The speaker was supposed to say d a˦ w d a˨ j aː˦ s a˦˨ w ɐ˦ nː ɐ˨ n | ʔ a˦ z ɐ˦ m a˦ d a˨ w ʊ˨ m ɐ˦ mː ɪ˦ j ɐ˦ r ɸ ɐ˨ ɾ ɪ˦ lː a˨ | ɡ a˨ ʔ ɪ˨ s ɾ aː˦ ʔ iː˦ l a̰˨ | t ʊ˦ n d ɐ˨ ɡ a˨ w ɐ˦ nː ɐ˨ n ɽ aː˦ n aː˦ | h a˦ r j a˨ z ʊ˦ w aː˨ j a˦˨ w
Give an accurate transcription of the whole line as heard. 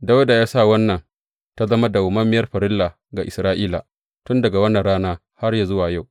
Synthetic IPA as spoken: d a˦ w d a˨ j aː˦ s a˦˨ w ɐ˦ nː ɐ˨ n | t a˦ z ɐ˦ m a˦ d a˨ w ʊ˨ m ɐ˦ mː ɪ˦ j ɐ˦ r ɸ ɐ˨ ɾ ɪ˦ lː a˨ | ɡ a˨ ʔ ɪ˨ s ɾ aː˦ ʔ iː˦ l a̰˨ | t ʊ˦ n d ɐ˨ ɡ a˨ w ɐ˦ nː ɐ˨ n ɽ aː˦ n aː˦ | h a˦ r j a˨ z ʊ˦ w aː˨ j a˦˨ w